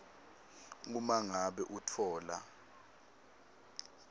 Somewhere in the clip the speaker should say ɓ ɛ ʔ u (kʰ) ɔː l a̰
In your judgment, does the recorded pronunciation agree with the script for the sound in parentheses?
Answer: no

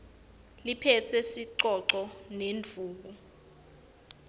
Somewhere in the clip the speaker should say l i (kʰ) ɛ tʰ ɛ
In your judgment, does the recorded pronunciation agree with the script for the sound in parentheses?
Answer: no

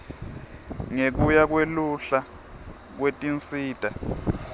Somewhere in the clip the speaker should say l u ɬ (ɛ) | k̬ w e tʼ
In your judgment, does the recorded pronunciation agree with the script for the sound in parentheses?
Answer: no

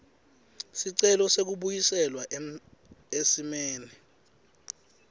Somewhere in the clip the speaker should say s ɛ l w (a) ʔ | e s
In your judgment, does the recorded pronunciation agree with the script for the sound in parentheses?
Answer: yes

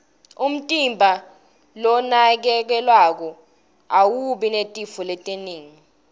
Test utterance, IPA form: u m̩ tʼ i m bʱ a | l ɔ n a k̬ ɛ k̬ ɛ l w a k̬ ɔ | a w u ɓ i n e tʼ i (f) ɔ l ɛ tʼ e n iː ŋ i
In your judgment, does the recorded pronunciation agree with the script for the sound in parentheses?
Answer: yes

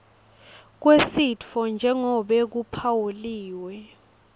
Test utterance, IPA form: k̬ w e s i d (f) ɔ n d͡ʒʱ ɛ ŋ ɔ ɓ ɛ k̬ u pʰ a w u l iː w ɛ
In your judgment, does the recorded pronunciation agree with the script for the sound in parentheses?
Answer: yes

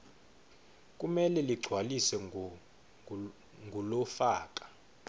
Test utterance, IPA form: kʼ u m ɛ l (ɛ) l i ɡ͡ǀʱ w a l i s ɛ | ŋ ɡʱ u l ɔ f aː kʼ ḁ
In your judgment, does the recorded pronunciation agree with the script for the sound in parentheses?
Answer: yes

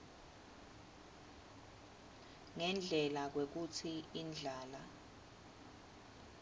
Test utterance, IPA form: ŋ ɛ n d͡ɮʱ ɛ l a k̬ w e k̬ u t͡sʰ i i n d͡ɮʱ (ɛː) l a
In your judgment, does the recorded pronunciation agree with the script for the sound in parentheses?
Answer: no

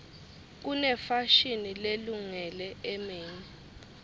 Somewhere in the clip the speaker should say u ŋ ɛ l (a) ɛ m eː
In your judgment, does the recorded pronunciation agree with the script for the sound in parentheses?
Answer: no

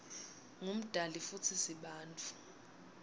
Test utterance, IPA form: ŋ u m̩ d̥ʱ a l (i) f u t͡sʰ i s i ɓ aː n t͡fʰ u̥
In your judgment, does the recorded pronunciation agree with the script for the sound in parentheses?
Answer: yes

